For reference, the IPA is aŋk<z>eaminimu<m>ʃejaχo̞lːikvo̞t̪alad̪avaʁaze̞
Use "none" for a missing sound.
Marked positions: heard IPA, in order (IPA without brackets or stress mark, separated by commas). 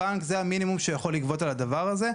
z, m